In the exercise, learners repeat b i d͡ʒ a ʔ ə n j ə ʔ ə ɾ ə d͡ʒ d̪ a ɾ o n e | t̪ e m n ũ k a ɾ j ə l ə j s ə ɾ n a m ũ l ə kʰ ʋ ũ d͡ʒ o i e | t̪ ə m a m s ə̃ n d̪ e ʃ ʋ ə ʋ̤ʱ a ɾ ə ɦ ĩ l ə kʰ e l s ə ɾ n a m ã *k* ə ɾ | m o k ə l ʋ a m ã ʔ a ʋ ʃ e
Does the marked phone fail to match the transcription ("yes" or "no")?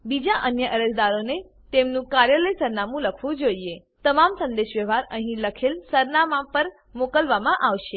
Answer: yes